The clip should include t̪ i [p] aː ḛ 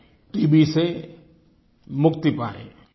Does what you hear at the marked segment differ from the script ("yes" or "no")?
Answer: no